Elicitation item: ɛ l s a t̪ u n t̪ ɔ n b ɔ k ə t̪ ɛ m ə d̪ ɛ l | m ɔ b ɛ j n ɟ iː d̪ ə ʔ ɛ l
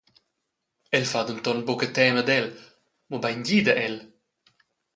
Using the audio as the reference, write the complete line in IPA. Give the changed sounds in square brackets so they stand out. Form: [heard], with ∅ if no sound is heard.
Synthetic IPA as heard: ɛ l [f] a [d̪] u n t̪ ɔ n b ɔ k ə t̪ ɛ m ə d̪ ɛ l | m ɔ b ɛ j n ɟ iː d̪ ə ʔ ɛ l